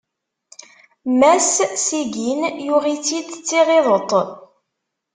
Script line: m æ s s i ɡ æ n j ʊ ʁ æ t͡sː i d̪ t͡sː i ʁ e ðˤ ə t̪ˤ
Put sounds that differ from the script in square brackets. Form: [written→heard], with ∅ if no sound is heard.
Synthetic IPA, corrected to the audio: m æ s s i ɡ [æ→i] n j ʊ ʁ [æ→i] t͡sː i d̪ t͡sː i ʁ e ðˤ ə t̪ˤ

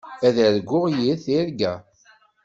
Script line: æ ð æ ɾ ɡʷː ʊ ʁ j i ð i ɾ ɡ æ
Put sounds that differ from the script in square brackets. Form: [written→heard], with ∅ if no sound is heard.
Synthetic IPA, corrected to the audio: æ ð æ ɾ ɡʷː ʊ ʁ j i [ð→θ] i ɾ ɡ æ

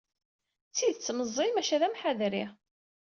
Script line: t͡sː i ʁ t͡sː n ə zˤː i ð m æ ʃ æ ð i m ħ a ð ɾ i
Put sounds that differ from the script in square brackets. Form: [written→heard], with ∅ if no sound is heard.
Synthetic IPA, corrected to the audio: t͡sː i [ʁ→ð] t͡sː [n→m] ə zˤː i [ð→∅] m æ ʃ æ ð [i→æ] m ħ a ð ɾ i

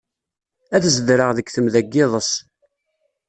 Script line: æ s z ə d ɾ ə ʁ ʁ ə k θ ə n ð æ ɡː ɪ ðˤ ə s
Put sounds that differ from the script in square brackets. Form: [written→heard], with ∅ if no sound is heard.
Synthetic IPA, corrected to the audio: æ [s→θ] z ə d ɾ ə ʁ [ʁ→ð] ə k θ ə [n→m] ð æ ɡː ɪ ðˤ ə s

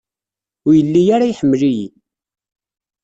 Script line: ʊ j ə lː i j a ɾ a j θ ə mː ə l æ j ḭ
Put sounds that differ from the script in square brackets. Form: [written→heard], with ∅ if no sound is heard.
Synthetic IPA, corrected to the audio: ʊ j ə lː i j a ɾ a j [θ→ħ] ə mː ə l [æ→i] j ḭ

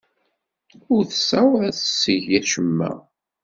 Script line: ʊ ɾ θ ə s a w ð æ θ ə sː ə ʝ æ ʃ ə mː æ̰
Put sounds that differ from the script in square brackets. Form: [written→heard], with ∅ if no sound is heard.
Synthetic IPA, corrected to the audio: ʊ ɾ θ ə s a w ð æ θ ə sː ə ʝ æ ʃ ə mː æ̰

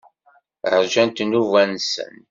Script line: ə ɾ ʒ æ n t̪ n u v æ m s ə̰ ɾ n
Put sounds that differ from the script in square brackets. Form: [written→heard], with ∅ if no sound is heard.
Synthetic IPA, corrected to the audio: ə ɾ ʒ æ n t̪ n u v æ [m→n] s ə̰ [ɾ→∅] n

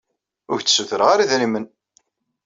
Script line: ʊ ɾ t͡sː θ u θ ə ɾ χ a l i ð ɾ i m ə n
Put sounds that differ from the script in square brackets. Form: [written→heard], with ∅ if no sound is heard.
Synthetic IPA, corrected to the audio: ʊ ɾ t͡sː [θ→s] u θ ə ɾ [χ→ʁ] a [l→ɾ] i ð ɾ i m ə n

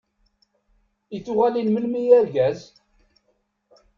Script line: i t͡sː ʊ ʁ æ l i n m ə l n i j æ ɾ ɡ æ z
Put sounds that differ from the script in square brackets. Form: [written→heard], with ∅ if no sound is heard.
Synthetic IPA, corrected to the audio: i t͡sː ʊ ʁ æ l i n m ə l [n→m] i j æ ɾ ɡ æ z

